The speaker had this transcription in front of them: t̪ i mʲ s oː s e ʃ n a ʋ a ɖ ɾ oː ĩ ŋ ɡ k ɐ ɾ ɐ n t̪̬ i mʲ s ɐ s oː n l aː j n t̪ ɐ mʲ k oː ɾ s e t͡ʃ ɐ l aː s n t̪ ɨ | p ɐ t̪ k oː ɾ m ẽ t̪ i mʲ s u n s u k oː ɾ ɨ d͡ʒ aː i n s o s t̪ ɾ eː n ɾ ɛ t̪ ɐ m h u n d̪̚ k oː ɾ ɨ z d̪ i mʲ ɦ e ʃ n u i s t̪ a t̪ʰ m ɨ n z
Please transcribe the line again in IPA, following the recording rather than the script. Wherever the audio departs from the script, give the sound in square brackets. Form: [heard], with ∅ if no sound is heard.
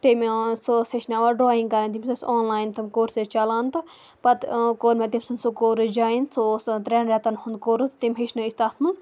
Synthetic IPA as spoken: t̪ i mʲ s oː s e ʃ n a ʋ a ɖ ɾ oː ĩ ŋ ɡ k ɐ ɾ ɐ n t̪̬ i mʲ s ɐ s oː n l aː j n t̪ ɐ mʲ k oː ɾ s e t͡ʃ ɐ l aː [∅] n t̪ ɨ | p ɐ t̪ k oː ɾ m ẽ t̪ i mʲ s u n s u k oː ɾ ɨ d͡ʒ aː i n s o s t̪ ɾ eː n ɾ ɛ t̪ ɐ [n] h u n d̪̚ k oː ɾ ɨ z [t̪] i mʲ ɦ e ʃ n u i s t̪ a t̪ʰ m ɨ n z